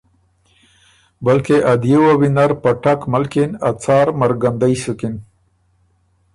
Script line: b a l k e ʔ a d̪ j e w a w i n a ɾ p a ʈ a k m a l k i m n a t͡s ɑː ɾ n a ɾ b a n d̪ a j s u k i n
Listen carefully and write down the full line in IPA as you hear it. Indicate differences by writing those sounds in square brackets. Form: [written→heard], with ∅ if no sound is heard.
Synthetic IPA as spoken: b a l k e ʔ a d̪ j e w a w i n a ɾ p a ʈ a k m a l k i [m→∅] n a t͡s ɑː ɾ [n→m] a ɾ [b→ɡ] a n d̪ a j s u k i n